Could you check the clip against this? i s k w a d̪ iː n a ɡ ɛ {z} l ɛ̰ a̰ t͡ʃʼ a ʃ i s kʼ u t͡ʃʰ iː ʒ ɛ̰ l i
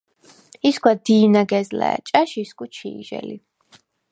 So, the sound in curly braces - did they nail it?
yes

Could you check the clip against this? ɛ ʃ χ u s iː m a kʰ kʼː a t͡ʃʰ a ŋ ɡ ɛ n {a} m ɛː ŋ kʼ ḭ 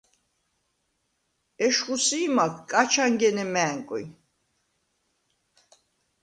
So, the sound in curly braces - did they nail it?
no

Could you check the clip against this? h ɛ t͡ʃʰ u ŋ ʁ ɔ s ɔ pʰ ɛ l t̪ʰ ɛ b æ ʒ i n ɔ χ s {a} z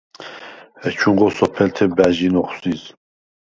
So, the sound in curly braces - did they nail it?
no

